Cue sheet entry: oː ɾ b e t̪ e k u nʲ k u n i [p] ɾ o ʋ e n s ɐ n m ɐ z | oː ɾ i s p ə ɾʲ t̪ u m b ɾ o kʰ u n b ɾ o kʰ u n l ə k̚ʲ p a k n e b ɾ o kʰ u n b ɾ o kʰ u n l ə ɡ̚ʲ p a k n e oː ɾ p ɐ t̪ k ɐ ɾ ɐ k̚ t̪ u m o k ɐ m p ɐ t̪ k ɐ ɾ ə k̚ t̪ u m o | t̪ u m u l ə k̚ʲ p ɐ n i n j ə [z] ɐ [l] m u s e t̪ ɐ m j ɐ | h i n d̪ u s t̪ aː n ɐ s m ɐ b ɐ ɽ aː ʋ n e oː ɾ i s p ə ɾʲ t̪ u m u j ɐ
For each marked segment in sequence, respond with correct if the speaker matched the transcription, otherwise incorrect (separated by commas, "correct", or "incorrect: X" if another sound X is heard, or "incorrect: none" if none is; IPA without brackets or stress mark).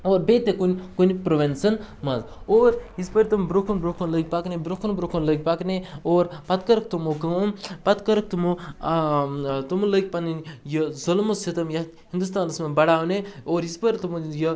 correct, correct, correct